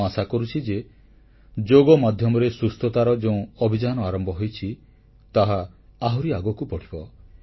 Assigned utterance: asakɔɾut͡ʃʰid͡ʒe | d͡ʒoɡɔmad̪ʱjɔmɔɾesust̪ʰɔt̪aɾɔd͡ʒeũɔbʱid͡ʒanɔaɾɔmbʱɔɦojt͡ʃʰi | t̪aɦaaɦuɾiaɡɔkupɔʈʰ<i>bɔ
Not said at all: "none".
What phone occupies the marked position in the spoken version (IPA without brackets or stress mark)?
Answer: i